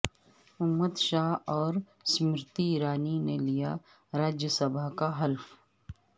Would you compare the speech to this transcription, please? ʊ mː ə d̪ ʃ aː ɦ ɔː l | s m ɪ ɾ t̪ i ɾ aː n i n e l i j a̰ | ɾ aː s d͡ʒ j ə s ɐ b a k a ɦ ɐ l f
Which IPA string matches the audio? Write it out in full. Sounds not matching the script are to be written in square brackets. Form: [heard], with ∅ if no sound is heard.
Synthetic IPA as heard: ʊ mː ə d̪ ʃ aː ɦ ɔː [ɾ] | s m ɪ ɾ t̪ i ɾ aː n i n e l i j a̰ | ɾ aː [∅] d͡ʒ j ə s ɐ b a k a ɦ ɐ l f